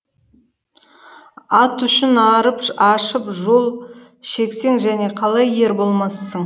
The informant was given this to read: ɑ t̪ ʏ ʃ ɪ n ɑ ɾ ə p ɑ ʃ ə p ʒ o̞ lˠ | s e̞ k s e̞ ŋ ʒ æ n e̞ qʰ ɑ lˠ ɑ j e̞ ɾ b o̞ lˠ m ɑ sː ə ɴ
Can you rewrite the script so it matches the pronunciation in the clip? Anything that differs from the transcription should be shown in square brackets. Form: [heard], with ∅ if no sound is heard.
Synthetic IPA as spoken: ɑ t̪ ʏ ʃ ɪ n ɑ ɾ ə p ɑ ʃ ə p ʒ o̞ lˠ | [ʃ] e̞ k s e̞ ŋ ʒ æ n e̞ qʰ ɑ lˠ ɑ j e̞ ɾ b o̞ lˠ m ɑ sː ə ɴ